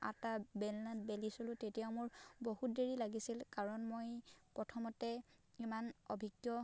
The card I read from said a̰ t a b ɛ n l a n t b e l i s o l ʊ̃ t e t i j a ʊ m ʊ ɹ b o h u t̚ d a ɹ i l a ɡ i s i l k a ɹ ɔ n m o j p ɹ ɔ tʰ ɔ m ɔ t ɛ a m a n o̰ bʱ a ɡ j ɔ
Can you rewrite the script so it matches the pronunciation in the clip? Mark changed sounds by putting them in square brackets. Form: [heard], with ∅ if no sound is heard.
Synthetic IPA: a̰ t a b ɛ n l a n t b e l i s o l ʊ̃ t e t i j a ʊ m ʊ ɹ b o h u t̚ d [e] ɹ i l a ɡ i s i l k a ɹ ɔ n m o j p ɹ ɔ tʰ ɔ m ɔ t ɛ [i] m a n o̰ bʱ [i] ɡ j ɔ

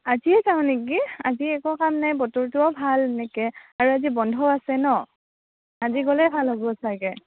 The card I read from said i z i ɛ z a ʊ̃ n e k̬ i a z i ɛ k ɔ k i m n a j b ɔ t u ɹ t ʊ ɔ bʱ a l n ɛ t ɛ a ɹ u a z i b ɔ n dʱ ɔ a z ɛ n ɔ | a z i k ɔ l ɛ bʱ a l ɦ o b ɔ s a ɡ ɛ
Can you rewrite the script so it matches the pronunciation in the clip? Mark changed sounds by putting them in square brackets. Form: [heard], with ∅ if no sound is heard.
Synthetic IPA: [a] z i ɛ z a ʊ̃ n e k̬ i a z i ɛ k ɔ k [a] m n a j b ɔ t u ɹ t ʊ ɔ bʱ a l n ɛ [k] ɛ a ɹ u a z i b ɔ n dʱ ɔ a [s] ɛ n ɔ | a z i [ɡ] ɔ l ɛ bʱ a l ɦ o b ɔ s a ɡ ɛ

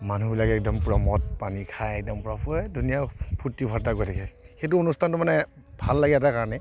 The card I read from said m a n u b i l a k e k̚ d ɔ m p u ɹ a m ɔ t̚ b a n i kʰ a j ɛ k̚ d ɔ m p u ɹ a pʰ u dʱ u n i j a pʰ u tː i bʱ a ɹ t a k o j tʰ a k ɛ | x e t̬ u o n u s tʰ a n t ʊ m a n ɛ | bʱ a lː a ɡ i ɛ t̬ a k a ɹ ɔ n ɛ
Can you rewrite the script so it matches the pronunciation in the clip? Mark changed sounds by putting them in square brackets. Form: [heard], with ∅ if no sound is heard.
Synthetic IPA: m a n u b i l a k [ɛ] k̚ d ɔ m p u ɹ a m ɔ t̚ [p] a n i kʰ a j ɛ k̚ d ɔ m p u ɹ a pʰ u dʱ u n i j a pʰ u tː i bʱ a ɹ t a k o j tʰ a k ɛ | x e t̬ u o n u s tʰ a n t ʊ m a n ɛ | bʱ a lː a ɡ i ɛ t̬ a k a ɹ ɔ n ɛ

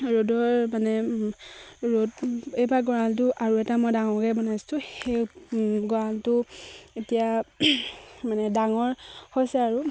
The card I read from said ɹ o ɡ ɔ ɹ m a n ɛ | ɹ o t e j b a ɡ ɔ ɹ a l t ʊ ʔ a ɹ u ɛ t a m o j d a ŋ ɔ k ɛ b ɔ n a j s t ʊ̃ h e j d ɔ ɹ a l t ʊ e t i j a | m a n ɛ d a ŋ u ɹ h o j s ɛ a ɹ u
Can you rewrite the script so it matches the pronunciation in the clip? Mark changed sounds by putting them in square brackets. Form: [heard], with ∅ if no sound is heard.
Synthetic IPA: ɹ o [d] ɔ ɹ m a n ɛ | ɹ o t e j b a ɡ ɔ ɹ a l t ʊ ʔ a ɹ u ɛ t a m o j d a ŋ ɔ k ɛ b ɔ n a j s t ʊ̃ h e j [ɡ] ɔ ɹ a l t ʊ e t i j a | m a n ɛ d a ŋ [ɔ] ɹ h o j s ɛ a ɹ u

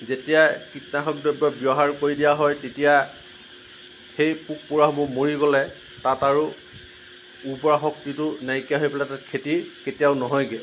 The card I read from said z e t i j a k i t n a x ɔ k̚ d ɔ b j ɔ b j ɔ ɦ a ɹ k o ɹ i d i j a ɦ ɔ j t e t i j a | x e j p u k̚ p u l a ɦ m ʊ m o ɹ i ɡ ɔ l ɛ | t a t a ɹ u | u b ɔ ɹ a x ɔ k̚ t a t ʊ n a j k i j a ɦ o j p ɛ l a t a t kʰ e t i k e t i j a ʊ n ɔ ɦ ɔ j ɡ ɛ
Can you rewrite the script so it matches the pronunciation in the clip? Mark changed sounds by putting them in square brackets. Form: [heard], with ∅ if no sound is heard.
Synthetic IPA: z e t i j a k i t n a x ɔ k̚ d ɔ b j ɔ b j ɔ ɦ a ɹ k o ɹ i d i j a ɦ ɔ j t e t i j a | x e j p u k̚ p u [ɹ] a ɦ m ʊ m o ɹ i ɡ ɔ l ɛ | t a t a ɹ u | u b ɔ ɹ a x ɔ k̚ t [i] t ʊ n a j k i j a ɦ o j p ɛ l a t a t kʰ e t i k e t i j a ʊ n ɔ ɦ ɔ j ɡ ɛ

